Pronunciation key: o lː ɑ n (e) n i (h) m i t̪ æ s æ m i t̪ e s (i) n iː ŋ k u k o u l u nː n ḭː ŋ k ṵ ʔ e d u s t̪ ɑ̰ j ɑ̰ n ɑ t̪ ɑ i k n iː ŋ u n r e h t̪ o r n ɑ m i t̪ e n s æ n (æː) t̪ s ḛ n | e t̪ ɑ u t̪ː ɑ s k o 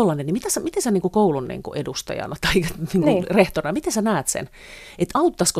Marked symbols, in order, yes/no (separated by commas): yes, no, no, yes